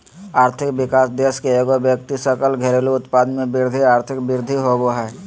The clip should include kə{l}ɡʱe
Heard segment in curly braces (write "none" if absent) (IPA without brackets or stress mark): l